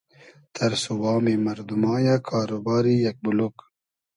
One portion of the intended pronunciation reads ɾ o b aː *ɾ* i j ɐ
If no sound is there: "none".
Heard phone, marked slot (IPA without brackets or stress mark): ɾ